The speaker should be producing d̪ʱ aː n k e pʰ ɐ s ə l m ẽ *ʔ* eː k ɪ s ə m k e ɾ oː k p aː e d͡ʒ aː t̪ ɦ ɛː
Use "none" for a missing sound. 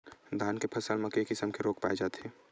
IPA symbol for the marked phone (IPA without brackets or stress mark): k